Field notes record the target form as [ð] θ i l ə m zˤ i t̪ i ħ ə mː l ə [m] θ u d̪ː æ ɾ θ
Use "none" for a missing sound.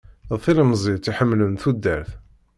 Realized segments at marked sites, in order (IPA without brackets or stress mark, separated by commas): ð, n